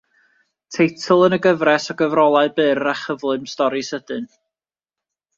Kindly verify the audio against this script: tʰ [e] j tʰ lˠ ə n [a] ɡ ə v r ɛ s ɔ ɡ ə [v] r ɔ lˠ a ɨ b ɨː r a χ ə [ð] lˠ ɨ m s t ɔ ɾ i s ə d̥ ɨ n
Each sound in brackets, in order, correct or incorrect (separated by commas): correct, incorrect, correct, incorrect